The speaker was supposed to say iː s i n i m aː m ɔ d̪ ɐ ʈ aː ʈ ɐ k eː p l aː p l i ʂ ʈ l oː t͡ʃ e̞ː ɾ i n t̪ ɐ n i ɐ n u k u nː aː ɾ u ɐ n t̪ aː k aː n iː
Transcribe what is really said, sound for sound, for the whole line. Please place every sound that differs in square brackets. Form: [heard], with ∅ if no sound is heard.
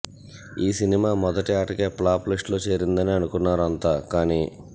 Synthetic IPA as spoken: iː s i n i m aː m ɔ d̪ ɐ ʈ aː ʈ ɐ k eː p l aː p l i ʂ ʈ l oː t͡ʃ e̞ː ɾ i n [d̪] ɐ n i ɐ n u k u nː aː ɾ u ɐ n t̪ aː k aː n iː